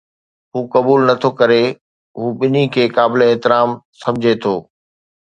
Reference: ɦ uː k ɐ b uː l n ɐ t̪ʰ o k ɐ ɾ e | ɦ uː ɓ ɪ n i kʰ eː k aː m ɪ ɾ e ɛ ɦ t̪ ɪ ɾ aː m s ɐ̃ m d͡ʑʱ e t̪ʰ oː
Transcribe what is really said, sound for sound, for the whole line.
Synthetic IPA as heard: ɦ uː k ɐ b uː l n ɐ t̪ʰ o k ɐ ɾ e | ɦ uː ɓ ɪ n i kʰ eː k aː b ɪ l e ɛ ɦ t̪ ɪ ɾ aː m s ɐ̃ m d͡ʑʱ e t̪ʰ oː